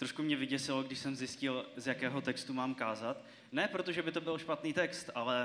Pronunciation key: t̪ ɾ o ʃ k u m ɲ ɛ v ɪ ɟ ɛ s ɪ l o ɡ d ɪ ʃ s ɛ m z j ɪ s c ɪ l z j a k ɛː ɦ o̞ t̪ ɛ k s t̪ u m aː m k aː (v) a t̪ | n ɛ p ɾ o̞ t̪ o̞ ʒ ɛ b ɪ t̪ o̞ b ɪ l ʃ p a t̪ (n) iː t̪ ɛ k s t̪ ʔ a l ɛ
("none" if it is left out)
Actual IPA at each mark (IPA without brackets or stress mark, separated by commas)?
z, n